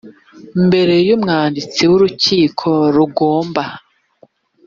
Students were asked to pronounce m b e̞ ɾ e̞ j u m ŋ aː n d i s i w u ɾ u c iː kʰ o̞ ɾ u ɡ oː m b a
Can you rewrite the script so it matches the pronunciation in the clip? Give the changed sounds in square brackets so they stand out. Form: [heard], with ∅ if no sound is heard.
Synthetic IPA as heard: m b e̞ ɾ e̞ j u m ŋ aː n d i [t͡s] i w u ɾ u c iː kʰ o̞ ɾ u ɡ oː m b a